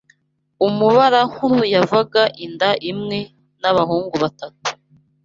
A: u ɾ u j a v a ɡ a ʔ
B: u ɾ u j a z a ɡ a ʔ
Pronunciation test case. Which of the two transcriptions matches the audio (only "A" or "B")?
A